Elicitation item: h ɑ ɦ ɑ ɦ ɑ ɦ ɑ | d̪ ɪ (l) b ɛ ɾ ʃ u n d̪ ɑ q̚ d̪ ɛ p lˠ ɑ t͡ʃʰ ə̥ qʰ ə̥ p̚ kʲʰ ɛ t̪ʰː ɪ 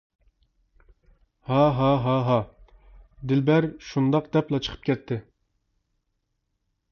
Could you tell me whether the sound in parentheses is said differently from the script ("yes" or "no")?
no